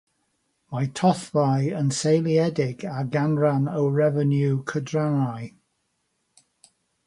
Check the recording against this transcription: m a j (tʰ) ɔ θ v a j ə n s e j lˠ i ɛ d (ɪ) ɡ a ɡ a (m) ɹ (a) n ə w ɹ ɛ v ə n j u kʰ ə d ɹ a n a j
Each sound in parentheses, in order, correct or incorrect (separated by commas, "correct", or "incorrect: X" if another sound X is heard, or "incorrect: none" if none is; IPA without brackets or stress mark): correct, correct, incorrect: n, correct